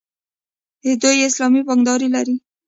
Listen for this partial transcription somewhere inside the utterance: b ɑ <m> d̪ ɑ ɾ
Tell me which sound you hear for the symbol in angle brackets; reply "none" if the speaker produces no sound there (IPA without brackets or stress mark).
ŋ